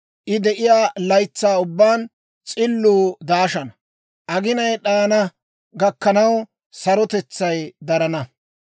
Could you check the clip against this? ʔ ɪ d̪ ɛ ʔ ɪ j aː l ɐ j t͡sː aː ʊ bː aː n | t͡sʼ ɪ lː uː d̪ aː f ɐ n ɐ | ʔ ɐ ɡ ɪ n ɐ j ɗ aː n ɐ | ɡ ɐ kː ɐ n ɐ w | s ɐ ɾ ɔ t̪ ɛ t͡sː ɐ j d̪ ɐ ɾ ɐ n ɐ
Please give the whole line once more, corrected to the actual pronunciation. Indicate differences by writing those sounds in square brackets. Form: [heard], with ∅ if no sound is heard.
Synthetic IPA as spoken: ʔ ɪ d̪ ɛ ʔ ɪ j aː l ɐ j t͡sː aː ʊ bː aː n | t͡sʼ ɪ lː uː d̪ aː [ʃ] ɐ n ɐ | ʔ ɐ ɡ ɪ n ɐ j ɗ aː n ɐ | ɡ ɐ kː ɐ n ɐ w | s ɐ ɾ ɔ t̪ ɛ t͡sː ɐ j d̪ ɐ ɾ ɐ n ɐ